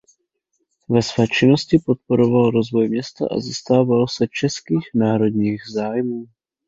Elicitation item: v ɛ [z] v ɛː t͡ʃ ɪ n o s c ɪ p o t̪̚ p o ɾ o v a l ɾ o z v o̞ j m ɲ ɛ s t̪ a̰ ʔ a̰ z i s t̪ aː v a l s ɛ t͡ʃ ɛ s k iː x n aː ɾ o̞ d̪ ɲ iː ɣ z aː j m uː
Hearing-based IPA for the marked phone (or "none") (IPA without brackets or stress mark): s